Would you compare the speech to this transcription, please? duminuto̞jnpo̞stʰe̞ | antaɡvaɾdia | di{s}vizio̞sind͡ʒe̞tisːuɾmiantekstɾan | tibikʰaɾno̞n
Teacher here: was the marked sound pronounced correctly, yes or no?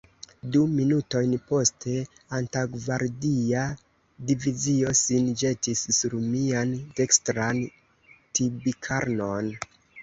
no